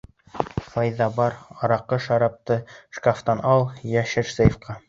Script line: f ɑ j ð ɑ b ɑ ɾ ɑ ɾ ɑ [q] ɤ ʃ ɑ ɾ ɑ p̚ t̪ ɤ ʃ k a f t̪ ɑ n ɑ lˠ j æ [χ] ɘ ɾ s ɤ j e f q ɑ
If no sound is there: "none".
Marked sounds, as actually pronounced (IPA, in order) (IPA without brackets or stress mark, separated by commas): q, ʃ